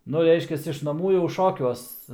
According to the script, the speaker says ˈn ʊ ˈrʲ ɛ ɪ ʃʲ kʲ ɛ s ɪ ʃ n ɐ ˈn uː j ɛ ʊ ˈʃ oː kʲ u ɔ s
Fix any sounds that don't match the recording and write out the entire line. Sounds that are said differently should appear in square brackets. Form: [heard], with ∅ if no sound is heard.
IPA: ˈn ʊ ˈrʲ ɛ ɪ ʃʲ kʲ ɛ s ɪ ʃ n ɐ [ˈm] uː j ɛ ʊ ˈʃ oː kʲ u ɔ s